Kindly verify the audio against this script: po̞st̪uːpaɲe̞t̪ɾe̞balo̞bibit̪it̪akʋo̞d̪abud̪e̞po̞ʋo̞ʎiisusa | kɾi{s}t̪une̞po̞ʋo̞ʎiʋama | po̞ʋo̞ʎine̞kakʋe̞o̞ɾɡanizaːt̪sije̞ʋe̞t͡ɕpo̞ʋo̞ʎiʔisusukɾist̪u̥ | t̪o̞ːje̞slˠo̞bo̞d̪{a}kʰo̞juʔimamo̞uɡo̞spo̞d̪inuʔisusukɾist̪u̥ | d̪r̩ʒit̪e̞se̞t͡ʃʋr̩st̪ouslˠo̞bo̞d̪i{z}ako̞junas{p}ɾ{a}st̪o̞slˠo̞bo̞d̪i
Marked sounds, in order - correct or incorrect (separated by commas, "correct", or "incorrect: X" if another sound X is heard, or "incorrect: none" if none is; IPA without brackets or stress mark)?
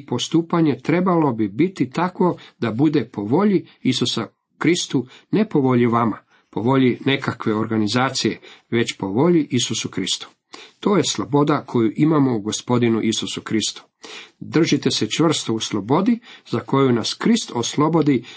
correct, correct, correct, incorrect: k, incorrect: i